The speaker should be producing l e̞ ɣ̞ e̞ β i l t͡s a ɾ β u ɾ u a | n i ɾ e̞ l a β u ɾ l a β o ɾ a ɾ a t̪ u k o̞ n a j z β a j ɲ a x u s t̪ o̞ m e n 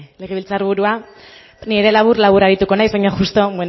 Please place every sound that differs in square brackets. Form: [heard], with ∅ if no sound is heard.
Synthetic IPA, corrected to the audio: l e̞ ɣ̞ e̞ β i l t͡s a ɾ β u ɾ u a | n i ɾ e̞ l a β u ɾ l a β [u] ɾ a ɾ [i] t̪ u k o̞ n a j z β a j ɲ a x u s t̪ o̞ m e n

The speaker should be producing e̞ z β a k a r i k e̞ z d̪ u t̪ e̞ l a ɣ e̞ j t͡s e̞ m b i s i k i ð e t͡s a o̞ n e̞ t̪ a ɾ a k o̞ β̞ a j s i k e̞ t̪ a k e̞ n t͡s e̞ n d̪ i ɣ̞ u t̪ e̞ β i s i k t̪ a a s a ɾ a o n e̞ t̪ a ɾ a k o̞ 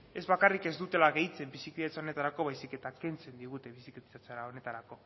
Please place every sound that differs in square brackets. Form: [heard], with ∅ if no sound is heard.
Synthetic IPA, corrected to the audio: e̞ z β a k a r i k e̞ z d̪ u t̪ e̞ l a ɣ e̞ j t͡s e̞ m b i s i k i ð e t͡s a o̞ n e̞ t̪ a ɾ a k o̞ β̞ a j s i k e̞ t̪ a k e̞ n t͡s e̞ n d̪ i ɣ̞ u t̪ e̞ β i s i k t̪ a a [t͡s] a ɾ a o n e̞ t̪ a ɾ a k o̞

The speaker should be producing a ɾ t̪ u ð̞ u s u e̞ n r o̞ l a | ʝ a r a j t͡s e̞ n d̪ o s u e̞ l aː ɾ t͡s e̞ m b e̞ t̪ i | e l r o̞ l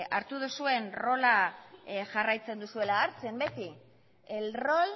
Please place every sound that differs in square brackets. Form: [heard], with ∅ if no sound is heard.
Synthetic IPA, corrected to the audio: a ɾ t̪ u ð̞ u s u e̞ n r o̞ l a | ʝ a r a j t͡s e̞ n d̪ [u] s u e̞ l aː ɾ t͡s e̞ m b e̞ t̪ i | e l r o̞ l

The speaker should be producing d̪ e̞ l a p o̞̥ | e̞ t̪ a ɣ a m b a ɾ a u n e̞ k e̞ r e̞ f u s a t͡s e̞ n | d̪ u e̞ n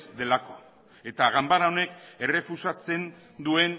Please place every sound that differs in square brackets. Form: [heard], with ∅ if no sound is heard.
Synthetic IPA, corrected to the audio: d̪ e̞ l a [k] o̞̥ | e̞ t̪ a ɣ a m b a ɾ a [o] n e̞ k e̞ r e̞ f u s a t͡s e̞ n | d̪ u e̞ n

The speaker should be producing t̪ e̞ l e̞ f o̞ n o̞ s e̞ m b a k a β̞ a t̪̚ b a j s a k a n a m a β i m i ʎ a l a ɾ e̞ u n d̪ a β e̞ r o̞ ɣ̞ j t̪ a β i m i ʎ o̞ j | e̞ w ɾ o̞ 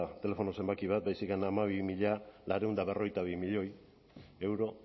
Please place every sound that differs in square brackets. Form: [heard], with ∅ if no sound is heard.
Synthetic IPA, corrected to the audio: t̪ e̞ l e̞ f o̞ n o̞ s e̞ m b a k [i] β̞ a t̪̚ b a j s [i] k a n a m a β i m i ʎ a l a ɾ e̞ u n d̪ a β e̞ r o̞ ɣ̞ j t̪ a β i m i ʎ o̞ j | e̞ w ɾ o̞

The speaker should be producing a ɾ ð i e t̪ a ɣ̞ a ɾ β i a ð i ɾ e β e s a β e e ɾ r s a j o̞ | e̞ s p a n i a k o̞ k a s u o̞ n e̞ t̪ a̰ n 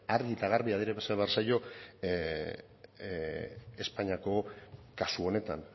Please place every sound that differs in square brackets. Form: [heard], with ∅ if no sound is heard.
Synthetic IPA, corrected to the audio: a ɾ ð i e t̪ a ɣ̞ a ɾ β i a ð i ɾ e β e s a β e [a] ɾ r s a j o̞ | e̞ s p a [ɲ] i a k o̞ k a s u o̞ n e̞ t̪ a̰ n

